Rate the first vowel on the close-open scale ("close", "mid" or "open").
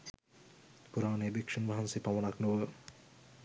close